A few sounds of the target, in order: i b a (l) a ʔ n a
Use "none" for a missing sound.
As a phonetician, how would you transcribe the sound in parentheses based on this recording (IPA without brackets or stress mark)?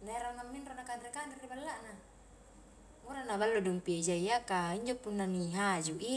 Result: lː